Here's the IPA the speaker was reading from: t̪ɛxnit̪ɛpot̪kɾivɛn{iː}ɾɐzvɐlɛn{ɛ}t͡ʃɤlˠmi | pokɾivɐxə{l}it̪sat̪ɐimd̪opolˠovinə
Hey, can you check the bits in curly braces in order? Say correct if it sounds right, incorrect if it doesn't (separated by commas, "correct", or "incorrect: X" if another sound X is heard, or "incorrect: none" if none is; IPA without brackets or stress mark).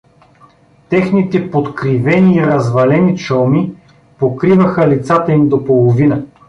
correct, incorrect: i, correct